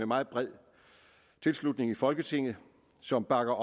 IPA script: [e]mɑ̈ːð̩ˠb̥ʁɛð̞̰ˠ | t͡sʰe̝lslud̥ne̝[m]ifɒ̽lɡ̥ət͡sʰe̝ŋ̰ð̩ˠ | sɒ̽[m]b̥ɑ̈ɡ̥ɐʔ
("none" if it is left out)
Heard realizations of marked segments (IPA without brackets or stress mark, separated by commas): e, ŋ, m